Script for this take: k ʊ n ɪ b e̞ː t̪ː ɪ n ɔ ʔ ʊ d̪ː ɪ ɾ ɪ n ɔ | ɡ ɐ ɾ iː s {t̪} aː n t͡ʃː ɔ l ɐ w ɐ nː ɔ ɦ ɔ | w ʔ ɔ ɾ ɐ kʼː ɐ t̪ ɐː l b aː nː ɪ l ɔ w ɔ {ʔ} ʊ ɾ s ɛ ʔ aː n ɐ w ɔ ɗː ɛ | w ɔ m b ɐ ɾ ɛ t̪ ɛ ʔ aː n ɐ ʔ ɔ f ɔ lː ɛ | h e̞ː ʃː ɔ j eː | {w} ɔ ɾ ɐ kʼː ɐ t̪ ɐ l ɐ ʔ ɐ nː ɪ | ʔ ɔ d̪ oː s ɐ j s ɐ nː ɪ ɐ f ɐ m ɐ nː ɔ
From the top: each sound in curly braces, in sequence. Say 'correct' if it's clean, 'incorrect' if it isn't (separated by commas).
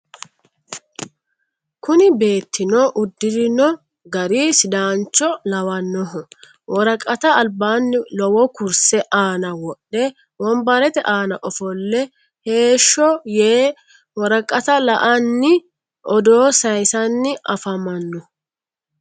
incorrect, incorrect, correct